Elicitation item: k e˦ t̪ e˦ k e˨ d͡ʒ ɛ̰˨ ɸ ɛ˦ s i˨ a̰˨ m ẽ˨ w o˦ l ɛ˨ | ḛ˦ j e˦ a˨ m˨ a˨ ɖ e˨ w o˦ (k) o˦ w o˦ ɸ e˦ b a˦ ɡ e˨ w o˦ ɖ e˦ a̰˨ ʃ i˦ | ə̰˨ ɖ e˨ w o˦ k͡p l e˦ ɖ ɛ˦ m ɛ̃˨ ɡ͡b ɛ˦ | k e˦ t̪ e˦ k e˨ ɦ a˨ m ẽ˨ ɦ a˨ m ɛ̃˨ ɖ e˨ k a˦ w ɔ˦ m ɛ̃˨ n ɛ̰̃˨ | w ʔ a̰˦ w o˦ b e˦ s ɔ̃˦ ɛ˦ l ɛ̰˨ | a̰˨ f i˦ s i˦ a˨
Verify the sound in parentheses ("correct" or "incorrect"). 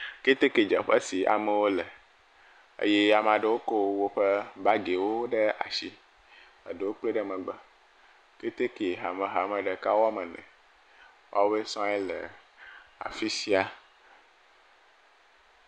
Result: correct